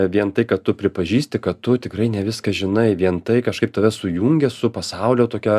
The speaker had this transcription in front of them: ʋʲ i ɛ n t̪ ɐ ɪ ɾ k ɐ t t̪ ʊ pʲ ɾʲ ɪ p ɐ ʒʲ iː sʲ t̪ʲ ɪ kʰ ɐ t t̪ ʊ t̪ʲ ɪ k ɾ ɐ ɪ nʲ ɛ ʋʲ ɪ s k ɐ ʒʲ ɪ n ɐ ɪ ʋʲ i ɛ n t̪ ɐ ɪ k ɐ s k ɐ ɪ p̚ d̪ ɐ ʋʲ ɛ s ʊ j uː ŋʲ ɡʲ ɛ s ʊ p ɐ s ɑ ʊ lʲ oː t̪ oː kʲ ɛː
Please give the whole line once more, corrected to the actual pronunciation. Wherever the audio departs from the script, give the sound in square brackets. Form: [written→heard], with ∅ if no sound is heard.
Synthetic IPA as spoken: ʋʲ i ɛ n t̪ ɐ ɪ [ɾ→∅] k ɐ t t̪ ʊ pʲ ɾʲ ɪ p ɐ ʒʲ iː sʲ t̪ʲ ɪ [kʰ→k] ɐ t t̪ ʊ t̪ʲ ɪ k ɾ ɐ ɪ nʲ ɛ ʋʲ ɪ s k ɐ ʒʲ ɪ n ɐ ɪ ʋʲ i ɛ n t̪ ɐ ɪ k ɐ [s→ʃ] k ɐ ɪ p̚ [d̪→t̪] ɐ ʋʲ ɛ s ʊ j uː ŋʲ ɡʲ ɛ s ʊ p ɐ s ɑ ʊ lʲ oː t̪ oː kʲ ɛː